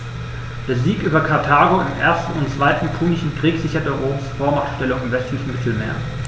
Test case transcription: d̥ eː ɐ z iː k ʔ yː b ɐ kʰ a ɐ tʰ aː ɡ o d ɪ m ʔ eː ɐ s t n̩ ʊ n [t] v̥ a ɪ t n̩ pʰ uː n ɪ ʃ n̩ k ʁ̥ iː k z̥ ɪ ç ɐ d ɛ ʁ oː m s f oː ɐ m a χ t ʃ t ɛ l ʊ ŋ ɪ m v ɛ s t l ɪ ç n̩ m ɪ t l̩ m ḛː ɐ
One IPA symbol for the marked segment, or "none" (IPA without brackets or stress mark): t͡s